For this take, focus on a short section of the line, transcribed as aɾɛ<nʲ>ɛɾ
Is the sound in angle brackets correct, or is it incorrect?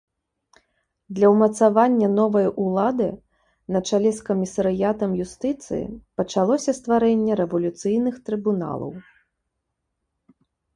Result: incorrect